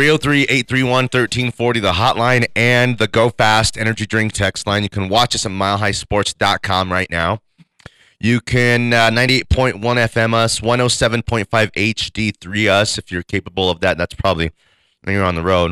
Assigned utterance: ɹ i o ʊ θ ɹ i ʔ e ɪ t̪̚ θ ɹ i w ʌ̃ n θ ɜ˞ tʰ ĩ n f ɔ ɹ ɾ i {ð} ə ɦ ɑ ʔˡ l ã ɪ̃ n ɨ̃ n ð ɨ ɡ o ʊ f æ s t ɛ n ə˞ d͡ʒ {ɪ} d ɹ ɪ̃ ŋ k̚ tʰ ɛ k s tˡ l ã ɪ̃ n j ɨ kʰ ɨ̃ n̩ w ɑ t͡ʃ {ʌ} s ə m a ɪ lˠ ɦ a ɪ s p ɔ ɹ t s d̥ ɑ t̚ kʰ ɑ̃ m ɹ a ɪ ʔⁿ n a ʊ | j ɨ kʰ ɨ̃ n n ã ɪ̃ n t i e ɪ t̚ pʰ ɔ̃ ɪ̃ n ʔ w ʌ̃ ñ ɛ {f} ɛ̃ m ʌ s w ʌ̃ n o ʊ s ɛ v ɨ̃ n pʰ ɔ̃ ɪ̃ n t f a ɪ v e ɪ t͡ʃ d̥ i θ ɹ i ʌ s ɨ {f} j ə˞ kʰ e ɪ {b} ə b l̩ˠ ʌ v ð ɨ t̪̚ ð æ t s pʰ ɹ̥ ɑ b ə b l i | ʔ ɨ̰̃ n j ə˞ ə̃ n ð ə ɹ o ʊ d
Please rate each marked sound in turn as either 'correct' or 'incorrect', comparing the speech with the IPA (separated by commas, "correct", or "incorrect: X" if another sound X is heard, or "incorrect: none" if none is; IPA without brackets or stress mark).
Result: correct, incorrect: i, correct, correct, correct, incorrect: p